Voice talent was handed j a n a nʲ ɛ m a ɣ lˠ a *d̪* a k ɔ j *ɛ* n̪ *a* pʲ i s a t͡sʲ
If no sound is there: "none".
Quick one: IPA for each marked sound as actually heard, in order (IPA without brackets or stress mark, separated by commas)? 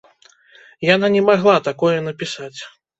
t̪, ɛ, ɐ